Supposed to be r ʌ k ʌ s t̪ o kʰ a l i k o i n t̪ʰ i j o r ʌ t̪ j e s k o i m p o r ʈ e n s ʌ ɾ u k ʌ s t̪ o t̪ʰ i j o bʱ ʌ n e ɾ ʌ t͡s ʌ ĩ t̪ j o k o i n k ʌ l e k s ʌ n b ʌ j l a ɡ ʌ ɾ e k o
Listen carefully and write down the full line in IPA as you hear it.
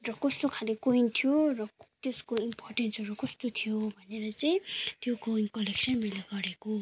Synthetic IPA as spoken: r ʌ k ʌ s t̪ o kʰ a l i k o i n t̪ʰ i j o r ʌ t̪ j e s k o i m p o r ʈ e n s ʌ ɾ u k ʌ s t̪ o t̪ʰ i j o bʱ ʌ n e ɾ ʌ t͡s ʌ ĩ t̪ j o k o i n k ʌ l e k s ʌ n m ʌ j l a ɡ ʌ ɾ e k o